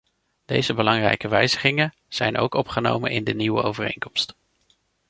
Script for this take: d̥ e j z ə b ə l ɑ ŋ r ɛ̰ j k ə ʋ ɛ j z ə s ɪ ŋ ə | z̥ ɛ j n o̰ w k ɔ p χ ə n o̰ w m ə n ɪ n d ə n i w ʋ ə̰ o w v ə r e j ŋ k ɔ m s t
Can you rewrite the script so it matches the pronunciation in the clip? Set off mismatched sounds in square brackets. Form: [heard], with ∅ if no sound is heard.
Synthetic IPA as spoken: d̥ e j z ə b ə l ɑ ŋ r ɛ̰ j k ə ʋ ɛ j z ə [χ] ɪ ŋ ə | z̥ ɛ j n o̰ w k ɔ p χ ə n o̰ w m ə n ɪ n d ə n i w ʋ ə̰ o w v ə r e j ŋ k ɔ m s t